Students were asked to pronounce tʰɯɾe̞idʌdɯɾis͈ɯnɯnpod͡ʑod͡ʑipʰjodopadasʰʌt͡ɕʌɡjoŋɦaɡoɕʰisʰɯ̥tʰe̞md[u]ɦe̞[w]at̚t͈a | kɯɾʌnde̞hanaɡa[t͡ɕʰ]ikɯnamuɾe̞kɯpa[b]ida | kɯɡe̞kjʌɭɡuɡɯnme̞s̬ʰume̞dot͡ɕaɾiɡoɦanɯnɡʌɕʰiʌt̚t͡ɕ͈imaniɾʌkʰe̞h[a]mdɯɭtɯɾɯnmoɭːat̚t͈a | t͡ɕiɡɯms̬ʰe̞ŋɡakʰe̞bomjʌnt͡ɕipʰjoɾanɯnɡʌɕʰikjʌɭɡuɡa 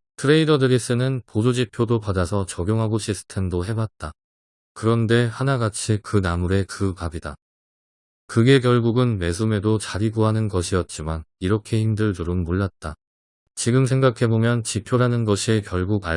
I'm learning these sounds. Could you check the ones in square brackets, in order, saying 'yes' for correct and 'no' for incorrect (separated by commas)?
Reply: no, no, yes, yes, no